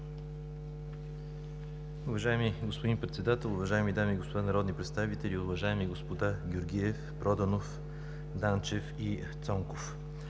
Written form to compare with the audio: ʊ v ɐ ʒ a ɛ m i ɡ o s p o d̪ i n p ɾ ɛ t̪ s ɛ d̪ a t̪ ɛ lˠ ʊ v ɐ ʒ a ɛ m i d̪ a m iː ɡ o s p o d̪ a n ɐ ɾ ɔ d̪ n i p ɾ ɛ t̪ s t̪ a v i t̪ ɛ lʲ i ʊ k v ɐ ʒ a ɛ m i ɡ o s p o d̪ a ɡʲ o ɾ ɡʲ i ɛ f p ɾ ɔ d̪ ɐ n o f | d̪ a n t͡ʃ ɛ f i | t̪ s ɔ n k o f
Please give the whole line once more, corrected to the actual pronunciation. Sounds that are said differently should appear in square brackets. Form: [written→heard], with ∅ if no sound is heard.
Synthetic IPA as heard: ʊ v ɐ ʒ a ɛ m i ɡ o s p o d̪ i n p ɾ ɛ t̪ s ɛ d̪ a t̪ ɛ lˠ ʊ v ɐ ʒ a ɛ m i d̪ a m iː ɡ o s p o d̪ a n ɐ ɾ ɔ d̪ n i p ɾ ɛ t̪ s t̪ a v i t̪ ɛ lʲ i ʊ [k→∅] v ɐ ʒ a ɛ m i ɡ o s p o d̪ a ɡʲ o ɾ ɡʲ i ɛ f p ɾ ɔ d̪ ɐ n o f | d̪ a n t͡ʃ ɛ f i | t̪ s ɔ [n→ŋ] k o f